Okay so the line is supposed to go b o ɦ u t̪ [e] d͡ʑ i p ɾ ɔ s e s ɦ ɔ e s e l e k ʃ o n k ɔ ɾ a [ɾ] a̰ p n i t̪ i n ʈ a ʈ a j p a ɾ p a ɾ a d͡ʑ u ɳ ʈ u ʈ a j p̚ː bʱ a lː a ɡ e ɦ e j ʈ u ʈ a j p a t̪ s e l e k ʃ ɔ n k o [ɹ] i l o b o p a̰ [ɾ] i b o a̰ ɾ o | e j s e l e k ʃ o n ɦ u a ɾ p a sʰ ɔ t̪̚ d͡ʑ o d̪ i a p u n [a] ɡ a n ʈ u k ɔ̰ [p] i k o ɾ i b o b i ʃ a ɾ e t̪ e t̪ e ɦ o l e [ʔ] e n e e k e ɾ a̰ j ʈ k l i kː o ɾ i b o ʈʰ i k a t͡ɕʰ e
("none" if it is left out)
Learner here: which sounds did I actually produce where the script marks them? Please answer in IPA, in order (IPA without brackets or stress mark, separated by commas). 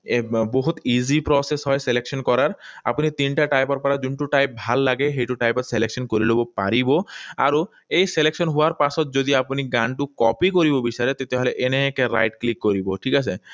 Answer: i, ɾ, ɾ, ɾ, i, p, ʔ